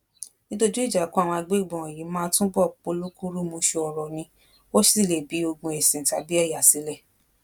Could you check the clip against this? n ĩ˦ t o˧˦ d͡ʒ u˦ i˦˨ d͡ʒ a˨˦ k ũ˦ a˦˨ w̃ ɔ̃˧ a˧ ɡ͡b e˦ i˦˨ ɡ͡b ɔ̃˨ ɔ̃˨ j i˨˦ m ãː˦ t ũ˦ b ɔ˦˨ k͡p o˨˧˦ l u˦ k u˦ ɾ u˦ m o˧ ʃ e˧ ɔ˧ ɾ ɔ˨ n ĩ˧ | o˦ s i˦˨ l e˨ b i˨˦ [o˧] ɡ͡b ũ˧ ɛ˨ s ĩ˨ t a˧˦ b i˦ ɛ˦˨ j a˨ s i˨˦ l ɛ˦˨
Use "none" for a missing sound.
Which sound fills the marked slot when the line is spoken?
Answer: o˧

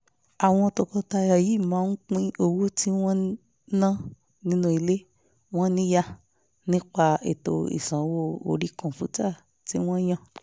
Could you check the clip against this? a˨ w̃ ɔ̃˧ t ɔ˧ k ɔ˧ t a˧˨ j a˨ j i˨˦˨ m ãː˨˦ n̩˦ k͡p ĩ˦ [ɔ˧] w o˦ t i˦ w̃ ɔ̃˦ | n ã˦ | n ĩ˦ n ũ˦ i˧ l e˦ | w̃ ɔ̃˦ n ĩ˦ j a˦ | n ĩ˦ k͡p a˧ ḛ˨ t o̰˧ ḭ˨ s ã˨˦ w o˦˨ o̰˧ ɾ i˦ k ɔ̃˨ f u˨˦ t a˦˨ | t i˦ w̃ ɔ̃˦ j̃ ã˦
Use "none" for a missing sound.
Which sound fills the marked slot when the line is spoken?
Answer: o˧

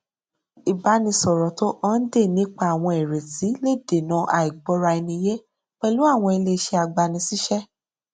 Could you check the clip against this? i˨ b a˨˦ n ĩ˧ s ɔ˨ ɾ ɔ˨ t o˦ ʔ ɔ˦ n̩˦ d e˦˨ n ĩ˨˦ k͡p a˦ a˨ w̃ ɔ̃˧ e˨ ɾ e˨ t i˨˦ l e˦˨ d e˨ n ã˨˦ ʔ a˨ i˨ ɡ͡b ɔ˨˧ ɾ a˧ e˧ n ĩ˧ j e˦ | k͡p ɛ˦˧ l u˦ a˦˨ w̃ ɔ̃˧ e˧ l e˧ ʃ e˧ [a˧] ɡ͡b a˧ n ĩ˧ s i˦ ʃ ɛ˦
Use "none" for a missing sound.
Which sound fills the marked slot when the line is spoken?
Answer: a˧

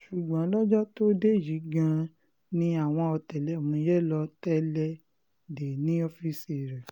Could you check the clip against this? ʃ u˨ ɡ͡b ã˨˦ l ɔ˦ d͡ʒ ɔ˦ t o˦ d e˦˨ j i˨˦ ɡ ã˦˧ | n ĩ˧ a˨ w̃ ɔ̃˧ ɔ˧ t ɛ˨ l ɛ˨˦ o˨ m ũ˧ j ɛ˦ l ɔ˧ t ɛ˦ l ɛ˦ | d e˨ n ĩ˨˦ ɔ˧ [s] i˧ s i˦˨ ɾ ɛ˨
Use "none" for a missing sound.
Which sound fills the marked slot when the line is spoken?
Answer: f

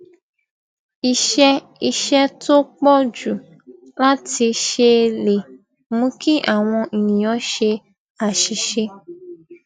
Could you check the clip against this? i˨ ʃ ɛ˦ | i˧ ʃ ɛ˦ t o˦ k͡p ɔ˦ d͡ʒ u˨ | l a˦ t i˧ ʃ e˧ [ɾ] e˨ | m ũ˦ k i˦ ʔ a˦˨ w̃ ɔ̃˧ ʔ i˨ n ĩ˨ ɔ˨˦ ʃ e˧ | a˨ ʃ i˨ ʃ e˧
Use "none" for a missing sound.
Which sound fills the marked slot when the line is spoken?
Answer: l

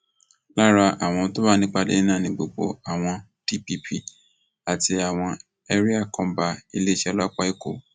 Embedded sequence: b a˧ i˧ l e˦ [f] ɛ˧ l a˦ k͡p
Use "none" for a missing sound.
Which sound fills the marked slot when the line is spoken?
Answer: ʃ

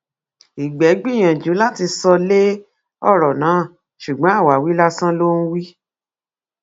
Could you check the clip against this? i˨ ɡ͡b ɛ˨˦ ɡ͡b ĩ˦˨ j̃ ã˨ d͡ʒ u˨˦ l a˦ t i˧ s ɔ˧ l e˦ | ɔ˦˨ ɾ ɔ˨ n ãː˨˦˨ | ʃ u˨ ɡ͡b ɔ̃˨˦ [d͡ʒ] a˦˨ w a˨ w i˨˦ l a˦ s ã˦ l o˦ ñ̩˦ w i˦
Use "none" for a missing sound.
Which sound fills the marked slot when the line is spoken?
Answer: none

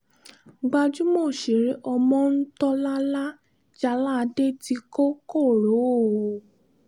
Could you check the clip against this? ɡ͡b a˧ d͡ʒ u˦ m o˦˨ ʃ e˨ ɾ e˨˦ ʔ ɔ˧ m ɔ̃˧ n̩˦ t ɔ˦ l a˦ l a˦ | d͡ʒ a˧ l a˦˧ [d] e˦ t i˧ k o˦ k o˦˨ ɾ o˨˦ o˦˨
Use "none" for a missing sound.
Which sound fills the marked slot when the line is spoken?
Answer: d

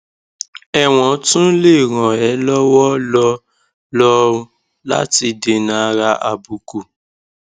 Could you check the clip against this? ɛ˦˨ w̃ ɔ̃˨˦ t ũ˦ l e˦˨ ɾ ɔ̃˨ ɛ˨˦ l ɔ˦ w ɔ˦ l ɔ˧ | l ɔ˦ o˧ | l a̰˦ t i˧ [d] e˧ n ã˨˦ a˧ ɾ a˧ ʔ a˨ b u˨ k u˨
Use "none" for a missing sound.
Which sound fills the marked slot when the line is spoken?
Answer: d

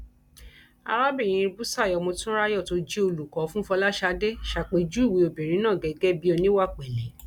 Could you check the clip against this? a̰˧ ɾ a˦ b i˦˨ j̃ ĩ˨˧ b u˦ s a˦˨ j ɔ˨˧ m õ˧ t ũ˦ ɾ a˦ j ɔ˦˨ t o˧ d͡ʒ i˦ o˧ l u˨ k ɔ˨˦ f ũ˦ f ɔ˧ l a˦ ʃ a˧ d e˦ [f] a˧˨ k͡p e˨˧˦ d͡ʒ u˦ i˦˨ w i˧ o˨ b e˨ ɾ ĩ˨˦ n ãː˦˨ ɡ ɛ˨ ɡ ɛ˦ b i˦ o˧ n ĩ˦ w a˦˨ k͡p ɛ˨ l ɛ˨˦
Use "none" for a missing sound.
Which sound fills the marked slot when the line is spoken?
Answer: ʃ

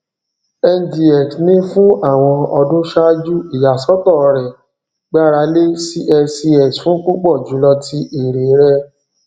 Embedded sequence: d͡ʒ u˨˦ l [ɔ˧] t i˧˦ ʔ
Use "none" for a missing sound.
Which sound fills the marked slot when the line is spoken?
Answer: ɔ˧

